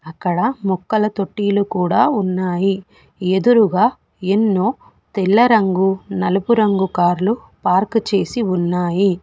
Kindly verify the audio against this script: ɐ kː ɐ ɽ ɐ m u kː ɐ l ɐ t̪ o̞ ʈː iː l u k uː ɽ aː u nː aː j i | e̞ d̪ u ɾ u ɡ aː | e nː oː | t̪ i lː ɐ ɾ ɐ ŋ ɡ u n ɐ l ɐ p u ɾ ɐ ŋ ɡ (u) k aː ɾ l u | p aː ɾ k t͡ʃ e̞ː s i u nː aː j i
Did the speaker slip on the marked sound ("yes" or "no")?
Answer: no